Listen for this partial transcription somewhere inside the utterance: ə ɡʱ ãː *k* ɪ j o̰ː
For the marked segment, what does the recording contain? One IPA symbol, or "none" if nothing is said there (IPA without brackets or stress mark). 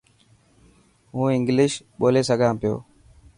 p